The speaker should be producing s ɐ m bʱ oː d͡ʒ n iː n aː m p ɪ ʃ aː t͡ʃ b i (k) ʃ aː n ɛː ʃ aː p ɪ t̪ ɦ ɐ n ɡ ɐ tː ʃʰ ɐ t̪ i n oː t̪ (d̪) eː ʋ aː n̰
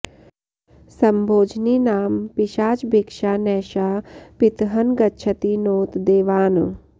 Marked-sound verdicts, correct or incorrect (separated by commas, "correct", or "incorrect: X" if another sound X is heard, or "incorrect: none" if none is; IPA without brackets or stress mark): correct, correct